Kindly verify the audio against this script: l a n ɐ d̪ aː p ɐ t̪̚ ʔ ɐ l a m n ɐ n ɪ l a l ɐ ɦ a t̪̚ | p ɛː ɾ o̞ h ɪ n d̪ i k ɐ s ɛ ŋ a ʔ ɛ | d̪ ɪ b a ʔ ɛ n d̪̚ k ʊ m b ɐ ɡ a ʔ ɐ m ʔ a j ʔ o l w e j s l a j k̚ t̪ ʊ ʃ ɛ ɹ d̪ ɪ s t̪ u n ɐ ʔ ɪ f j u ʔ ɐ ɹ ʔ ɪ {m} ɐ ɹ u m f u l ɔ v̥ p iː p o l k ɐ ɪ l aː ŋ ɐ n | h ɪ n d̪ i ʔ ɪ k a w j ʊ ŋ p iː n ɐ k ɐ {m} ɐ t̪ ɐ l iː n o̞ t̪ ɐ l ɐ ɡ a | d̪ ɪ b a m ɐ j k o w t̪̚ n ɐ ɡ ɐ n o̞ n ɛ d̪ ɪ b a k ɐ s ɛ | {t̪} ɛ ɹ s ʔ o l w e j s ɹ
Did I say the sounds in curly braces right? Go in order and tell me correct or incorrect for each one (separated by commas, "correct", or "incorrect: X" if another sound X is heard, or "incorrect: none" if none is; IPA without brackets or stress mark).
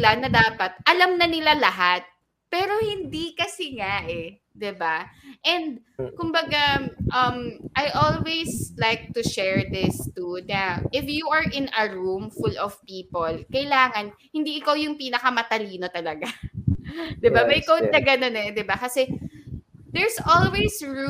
incorrect: n, correct, incorrect: d̪